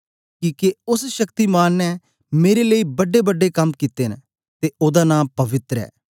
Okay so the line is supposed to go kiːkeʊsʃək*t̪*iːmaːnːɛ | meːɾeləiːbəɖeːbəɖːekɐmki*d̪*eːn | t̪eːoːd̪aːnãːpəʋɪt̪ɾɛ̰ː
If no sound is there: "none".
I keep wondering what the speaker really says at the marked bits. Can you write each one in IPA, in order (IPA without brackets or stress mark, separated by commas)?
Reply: t̪, t̪